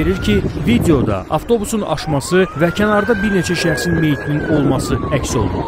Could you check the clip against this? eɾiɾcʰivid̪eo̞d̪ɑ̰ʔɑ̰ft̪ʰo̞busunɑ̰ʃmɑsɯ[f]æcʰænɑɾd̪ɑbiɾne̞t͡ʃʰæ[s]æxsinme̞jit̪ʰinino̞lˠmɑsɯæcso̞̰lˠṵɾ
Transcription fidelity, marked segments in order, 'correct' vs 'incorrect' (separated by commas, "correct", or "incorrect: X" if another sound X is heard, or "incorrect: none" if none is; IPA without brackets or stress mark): incorrect: v, incorrect: ʃ